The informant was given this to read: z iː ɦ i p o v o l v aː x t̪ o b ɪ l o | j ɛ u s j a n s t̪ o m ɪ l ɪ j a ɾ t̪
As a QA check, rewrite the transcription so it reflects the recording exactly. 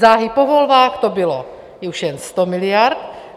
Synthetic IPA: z aː ɦ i p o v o l v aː x t̪ o b ɪ l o | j ɛ u ʃ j ɛ n s t̪ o m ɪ l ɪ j a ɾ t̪